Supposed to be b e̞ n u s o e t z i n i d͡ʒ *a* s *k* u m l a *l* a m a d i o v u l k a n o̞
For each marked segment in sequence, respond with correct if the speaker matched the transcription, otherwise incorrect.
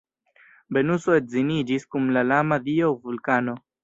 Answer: incorrect: i, correct, correct

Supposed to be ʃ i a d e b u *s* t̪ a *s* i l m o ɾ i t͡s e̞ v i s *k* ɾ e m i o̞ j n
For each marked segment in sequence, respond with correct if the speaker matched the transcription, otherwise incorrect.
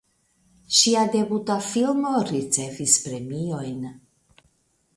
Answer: incorrect: none, incorrect: f, incorrect: p

